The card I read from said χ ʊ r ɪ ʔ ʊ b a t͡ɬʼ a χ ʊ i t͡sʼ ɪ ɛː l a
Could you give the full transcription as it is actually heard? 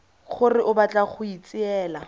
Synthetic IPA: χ ʊ r ɪ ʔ ʊ b a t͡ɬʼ a χ ʊ i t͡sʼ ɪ ɛː l a